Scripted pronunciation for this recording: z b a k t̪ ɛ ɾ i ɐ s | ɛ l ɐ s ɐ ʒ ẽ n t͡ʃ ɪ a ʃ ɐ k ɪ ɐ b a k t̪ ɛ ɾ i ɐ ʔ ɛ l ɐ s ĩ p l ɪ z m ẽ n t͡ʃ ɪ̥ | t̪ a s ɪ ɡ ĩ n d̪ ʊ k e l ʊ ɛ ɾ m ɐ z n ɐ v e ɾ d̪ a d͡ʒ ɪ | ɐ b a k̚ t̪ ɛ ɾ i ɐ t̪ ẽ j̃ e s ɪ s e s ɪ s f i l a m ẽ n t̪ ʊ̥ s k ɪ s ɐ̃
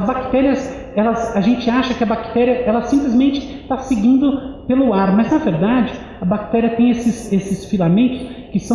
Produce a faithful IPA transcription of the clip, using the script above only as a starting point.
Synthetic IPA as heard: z b a k t̪ ɛ ɾ i ɐ s | ɛ l ɐ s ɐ ʒ ẽ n t͡ʃ ɪ a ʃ ɐ k ɪ ɐ b a k t̪ ɛ ɾ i ɐ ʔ ɛ l ɐ s ĩ p l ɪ z m ẽ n t͡ʃ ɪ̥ | t̪ a s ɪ ɡ ĩ n d̪ ʊ p e l ʊ a ɾ m ɐ z n ɐ v e ɾ d̪ a d͡ʒ ɪ | ɐ b a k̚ t̪ ɛ ɾ i ɐ t̪ ẽ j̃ e s ɪ s e s ɪ s f i l a m ẽ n t̪ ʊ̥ s k ɪ s ɐ̃

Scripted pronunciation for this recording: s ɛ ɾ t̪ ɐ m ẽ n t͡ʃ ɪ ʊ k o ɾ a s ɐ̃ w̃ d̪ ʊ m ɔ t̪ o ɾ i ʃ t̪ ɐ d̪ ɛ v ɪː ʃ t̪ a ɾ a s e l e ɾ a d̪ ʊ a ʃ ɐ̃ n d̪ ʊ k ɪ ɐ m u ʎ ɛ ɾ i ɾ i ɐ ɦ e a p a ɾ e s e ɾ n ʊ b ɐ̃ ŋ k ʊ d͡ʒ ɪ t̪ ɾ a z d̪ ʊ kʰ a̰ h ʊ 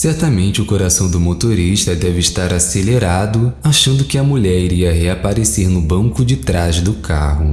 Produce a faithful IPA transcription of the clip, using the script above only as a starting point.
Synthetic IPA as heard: s ɛ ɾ t̪ ɐ m ẽ n t͡ʃ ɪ ʊ k o ɾ a s ɐ̃ w̃ d̪ ʊ m o t̪ o ɾ i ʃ t̪ ɐ d̪ ɛ v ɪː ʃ t̪ a ɾ a s e l e ɾ a d̪ ʊ a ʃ ɐ̃ n d̪ ʊ k ɪ ɐ m u ʎ ɛ ɾ i ɾ i ɐ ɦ e a p a ɾ e s e ɾ n ʊ b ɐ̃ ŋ k ʊ d͡ʒ ɪ t̪ ɾ a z d̪ ʊ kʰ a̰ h ʊ

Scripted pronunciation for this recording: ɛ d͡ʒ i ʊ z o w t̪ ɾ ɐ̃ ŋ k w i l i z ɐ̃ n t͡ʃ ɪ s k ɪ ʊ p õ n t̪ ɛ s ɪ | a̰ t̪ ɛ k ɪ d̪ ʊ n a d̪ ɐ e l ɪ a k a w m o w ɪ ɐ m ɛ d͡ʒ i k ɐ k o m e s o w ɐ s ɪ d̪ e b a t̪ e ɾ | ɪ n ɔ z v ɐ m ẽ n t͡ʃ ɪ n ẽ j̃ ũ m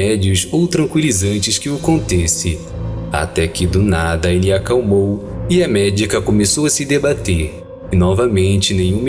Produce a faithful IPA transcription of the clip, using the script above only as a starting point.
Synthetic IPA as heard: ɛ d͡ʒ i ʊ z o w t̪ ɾ ɐ̃ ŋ k w i l i z ɐ̃ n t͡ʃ ɪ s k ɪ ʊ k õ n t̪ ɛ s ɪ | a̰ t̪ ɛ k ɪ d̪ ʊ n a d̪ ɐ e l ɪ a k a w m o w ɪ ɐ m ɛ d͡ʒ i k ɐ k o m e s o w ɐ s ɪ d̪ e b a t̪ e ɾ | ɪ n ɔ v ɐ m ẽ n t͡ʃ ɪ n ẽ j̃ ũ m

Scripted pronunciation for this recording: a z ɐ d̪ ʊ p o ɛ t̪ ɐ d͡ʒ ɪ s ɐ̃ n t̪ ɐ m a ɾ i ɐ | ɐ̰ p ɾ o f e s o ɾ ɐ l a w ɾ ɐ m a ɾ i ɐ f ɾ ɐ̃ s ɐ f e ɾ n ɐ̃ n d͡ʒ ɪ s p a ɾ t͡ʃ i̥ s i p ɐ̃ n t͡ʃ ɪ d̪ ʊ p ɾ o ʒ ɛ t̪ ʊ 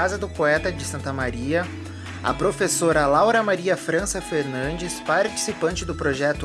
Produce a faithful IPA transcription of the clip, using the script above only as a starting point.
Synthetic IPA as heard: a z ɐ d̪ ʊ p o ɛ t̪ ɐ d͡ʒ ɪ s ɐ̃ n t̪ ɐ m a ɾ i ɐ | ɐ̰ p ɾ o f e s o ɾ ɐ l a w ɾ ɐ m a ɾ i ɐ f ɾ ɐ̃ s ɐ f e ɾ n ɐ̃ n d͡ʒ ɪ s p a ɾ t͡ʃ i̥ s i p ɐ̃ n t͡ʃ ɪ d̪ ʊ p ɾ o ʒ ɛ t̪ ʊ

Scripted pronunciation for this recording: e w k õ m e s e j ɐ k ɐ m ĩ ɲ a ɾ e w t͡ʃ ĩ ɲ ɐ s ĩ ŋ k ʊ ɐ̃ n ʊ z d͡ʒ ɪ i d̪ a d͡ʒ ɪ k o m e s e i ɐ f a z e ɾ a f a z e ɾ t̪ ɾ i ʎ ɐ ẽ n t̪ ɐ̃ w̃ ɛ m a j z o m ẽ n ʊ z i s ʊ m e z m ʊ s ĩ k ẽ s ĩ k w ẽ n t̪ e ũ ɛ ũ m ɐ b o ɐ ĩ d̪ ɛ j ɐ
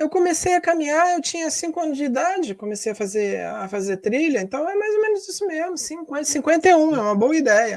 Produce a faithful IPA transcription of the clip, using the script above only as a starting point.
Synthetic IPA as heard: e w k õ m e s e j ɐ k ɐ m ĩ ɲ a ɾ e w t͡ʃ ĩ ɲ ɐ s ĩ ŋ k ʊ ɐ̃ n ʊ z d͡ʒ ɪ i d̪ a d͡ʒ ɪ k o m e s e j ɐ f a z e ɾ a f a z e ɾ t̪ ɾ i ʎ ɐ ẽ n t̪ ɐ̃ w̃ ɛ m a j z o m ẽ n ʊ z i s ʊ m e z m ʊ s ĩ k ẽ s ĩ k w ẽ n t̪ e ũ ɛ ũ m ɐ b o ɐ i d̪ ɛ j ɐ

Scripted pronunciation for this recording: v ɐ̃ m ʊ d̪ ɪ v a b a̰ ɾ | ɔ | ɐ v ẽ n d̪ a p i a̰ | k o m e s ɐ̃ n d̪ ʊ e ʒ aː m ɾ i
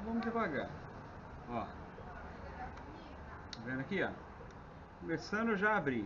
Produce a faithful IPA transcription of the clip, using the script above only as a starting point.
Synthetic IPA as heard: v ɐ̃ m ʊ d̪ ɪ v a ɡ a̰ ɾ | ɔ | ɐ v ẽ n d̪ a k i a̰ | k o m e s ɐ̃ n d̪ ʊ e ʒ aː b ɾ i

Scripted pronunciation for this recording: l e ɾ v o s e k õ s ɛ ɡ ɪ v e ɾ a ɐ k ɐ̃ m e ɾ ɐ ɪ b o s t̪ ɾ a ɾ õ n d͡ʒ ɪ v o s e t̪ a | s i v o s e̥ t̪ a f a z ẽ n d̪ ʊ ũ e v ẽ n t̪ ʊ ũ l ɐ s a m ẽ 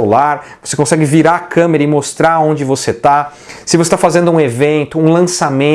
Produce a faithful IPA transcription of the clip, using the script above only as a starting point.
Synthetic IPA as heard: l a ɾ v o s e k õ s ɛ ɡ ɪ v i ɾ a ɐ k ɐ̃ m e ɾ ɐ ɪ m o s t̪ ɾ a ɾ õ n d͡ʒ ɪ v o s e t̪ a | s ɪ v o s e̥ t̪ a f a z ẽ n d̪ ʊ ũ e v ẽ n t̪ ʊ ũ l ɐ̃ s a m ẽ

